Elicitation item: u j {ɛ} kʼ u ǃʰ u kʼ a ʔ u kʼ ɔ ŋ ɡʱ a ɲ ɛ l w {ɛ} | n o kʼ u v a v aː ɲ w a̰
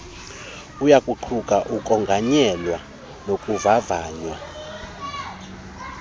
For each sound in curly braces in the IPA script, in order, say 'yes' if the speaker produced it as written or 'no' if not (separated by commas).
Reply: no, no